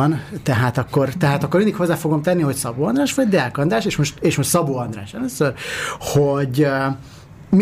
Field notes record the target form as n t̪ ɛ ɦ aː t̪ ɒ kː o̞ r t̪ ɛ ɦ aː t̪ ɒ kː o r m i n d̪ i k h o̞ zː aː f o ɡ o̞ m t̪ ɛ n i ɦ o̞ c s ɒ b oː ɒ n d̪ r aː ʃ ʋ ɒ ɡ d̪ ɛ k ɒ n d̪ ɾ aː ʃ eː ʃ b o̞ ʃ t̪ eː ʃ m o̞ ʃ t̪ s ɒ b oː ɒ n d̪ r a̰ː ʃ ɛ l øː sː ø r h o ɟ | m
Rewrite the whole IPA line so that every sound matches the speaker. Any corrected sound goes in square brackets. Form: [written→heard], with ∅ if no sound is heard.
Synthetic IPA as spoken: n t̪ ɛ ɦ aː t̪ ɒ kː o̞ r t̪ ɛ ɦ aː t̪ ɒ kː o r m i n d̪ i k h o̞ zː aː f o ɡ o̞ m t̪ ɛ [n→nː] i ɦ o̞ c s ɒ b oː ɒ n d̪ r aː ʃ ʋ ɒ [ɡ→ɟ] d̪ ɛ k ɒ n d̪ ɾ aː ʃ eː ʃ [b→m] o̞ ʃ t̪ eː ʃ m o̞ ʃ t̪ s ɒ b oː ɒ n d̪ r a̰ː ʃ ɛ l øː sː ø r h o ɟ | m